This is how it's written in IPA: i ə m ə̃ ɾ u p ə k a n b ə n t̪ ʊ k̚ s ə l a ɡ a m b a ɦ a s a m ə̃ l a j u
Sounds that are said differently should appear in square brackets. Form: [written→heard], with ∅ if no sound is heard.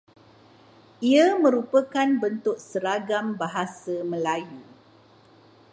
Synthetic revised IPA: i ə m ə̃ ɾ u p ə k a n b ə n t̪ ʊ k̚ s ə [l→ɾ] a ɡ a m b a ɦ a s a m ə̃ l a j u